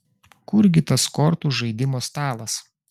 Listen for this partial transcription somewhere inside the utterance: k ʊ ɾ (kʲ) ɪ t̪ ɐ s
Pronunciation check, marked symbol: incorrect: ɡʲ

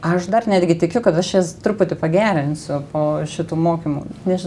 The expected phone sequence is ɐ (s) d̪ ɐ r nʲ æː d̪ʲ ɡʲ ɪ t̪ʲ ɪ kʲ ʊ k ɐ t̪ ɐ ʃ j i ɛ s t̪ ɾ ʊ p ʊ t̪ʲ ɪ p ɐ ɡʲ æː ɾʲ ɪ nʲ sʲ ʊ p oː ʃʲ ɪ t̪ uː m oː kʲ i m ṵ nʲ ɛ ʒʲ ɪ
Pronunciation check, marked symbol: incorrect: ʃ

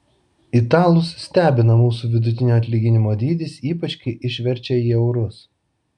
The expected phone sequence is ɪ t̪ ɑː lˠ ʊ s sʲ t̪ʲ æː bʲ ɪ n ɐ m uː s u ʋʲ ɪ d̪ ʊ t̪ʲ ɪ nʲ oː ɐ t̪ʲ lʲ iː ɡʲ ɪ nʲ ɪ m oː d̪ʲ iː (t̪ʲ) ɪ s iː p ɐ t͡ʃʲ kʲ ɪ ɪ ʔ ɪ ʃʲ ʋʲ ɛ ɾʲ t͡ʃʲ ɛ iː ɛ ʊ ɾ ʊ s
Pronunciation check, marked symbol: incorrect: d̪ʲ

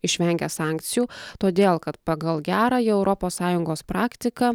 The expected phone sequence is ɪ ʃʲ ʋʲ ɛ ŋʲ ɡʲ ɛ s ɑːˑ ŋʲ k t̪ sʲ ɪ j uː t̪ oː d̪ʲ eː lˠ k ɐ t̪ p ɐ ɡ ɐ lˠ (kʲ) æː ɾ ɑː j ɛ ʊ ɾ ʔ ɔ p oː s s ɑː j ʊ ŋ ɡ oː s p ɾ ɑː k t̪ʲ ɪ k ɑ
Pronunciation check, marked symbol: incorrect: ɡʲ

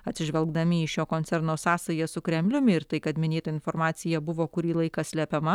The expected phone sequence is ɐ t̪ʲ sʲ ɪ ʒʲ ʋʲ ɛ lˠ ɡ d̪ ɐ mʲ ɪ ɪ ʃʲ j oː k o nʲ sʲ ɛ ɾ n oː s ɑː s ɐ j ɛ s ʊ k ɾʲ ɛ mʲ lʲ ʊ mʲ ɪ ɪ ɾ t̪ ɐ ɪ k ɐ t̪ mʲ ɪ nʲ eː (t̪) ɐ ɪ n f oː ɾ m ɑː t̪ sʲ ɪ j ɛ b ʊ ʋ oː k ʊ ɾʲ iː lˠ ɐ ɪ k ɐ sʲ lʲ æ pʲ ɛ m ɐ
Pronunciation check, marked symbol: correct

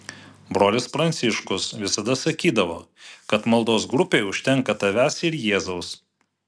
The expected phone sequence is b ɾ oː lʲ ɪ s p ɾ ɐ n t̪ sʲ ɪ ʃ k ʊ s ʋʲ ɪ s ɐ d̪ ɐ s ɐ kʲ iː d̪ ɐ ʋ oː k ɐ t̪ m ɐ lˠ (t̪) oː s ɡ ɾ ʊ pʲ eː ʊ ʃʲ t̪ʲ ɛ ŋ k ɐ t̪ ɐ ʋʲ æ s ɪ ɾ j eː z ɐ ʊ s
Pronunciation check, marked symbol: incorrect: d̪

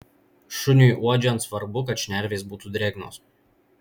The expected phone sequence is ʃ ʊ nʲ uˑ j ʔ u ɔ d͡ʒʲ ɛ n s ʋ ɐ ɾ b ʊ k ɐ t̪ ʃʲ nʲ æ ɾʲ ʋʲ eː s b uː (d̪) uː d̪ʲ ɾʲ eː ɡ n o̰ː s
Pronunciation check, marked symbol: incorrect: t̪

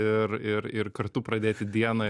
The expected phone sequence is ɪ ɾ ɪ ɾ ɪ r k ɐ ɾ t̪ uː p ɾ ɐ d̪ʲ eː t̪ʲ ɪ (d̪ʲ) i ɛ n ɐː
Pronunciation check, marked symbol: correct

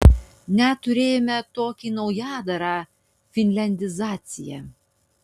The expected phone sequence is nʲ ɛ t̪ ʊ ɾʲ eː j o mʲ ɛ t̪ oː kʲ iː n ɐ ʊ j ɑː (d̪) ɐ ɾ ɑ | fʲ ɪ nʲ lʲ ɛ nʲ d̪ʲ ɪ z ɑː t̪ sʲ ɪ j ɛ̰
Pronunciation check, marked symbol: correct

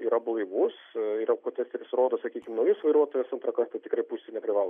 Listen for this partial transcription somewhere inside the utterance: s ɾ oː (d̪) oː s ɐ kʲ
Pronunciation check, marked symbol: correct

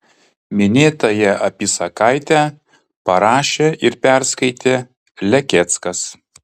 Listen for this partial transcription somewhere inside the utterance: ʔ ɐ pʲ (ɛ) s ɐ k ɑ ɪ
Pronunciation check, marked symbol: incorrect: i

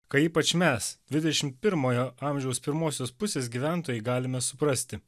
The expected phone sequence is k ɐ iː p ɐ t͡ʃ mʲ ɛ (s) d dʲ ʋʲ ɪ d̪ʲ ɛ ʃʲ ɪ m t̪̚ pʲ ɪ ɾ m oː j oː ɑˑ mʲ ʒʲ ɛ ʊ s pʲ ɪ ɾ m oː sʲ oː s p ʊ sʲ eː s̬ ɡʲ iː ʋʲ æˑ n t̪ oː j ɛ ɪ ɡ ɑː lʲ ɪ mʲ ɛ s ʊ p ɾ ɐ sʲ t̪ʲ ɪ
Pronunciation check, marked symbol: correct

